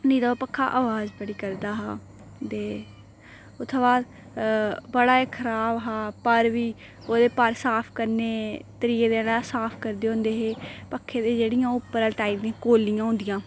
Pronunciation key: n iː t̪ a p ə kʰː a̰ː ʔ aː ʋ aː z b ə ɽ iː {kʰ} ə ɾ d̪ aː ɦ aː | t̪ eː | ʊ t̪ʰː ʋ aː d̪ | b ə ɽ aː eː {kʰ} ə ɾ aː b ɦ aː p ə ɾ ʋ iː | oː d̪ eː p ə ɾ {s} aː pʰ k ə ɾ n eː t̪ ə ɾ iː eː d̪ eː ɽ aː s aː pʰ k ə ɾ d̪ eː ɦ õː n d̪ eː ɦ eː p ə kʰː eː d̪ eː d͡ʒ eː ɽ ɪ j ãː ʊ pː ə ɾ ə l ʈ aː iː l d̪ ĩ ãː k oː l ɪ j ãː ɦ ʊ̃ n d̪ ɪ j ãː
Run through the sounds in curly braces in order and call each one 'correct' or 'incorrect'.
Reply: incorrect: k, correct, correct

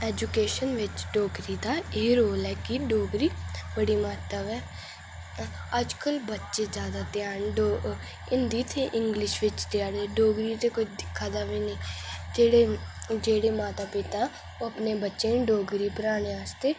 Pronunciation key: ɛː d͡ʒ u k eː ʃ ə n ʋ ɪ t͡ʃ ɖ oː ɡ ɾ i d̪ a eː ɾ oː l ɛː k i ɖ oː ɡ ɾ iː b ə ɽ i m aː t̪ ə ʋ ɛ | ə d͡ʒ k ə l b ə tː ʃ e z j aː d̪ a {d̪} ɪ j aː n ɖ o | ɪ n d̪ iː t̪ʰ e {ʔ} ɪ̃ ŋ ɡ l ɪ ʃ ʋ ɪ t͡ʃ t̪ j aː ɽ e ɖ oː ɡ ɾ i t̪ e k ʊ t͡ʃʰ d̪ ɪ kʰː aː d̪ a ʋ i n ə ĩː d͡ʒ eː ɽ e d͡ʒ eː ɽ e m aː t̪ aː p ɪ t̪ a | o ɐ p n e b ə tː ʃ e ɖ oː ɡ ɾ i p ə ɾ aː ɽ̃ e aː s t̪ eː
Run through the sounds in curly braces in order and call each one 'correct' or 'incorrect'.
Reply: incorrect: t̪, correct

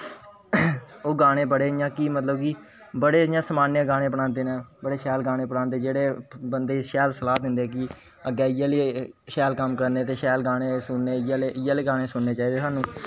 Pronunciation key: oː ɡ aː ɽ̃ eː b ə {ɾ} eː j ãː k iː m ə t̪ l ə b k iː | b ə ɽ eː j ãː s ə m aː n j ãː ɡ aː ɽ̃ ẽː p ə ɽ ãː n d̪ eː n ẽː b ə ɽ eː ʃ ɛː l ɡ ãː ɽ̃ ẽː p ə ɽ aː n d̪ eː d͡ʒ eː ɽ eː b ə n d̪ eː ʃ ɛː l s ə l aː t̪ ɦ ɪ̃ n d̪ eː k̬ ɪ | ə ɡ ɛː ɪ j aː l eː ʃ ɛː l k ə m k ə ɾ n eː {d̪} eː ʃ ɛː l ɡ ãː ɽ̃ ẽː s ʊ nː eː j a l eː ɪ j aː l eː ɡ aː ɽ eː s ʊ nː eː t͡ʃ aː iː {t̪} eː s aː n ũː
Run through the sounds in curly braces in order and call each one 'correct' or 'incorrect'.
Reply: incorrect: ɽ, incorrect: t̪, incorrect: d̪

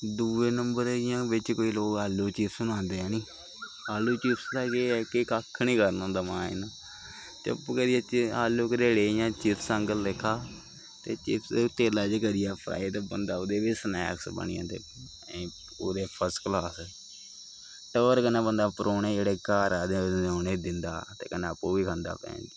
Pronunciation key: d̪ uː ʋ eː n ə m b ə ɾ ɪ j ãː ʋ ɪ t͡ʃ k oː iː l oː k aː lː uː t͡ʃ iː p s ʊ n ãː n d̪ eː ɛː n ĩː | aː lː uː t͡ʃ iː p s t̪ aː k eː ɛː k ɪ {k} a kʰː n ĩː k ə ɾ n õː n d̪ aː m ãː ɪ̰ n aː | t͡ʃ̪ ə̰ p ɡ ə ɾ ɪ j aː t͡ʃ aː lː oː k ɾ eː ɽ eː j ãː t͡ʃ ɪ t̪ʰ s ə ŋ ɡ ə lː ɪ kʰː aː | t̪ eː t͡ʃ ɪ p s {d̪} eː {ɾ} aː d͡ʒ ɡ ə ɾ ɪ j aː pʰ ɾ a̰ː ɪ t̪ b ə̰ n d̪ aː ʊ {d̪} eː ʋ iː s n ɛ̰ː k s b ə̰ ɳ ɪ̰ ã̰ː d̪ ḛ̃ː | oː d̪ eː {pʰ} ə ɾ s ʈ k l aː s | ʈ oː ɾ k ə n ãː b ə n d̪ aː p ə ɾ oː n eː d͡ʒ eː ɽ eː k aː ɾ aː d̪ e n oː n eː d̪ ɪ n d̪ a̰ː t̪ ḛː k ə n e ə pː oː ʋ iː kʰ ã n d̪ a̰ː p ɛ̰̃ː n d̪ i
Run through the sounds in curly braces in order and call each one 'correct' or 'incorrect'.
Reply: correct, incorrect: t̪, incorrect: l, correct, correct

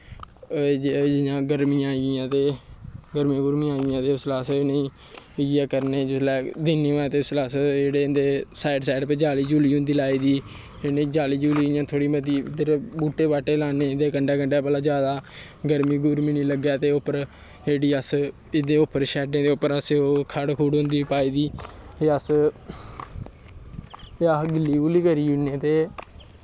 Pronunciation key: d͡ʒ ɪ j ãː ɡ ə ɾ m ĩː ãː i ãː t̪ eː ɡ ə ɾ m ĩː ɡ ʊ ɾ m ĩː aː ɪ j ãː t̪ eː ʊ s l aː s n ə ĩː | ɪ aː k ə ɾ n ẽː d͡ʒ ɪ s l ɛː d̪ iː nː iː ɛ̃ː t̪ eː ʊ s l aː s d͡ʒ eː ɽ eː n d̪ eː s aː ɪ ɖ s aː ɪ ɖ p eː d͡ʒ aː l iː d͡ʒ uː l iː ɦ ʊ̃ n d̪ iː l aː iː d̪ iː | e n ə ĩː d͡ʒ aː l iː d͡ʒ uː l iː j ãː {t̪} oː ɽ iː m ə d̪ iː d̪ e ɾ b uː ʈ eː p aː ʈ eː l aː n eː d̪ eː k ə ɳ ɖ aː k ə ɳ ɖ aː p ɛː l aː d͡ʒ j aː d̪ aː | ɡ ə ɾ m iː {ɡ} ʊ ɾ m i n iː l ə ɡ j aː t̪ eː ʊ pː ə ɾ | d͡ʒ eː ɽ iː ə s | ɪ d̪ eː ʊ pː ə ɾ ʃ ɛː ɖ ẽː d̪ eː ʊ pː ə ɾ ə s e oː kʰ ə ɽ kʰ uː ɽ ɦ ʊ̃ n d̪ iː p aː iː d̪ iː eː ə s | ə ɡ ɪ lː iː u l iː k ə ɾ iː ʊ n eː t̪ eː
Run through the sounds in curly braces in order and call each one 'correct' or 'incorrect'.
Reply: incorrect: t̪ʰ, correct

